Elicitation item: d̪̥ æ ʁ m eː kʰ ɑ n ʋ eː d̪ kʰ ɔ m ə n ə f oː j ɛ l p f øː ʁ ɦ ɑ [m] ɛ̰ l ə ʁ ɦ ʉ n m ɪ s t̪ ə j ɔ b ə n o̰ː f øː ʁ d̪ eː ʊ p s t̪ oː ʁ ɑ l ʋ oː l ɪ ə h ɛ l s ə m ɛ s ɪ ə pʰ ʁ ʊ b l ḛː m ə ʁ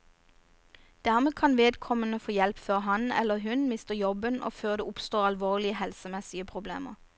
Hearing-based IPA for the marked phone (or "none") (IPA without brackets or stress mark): n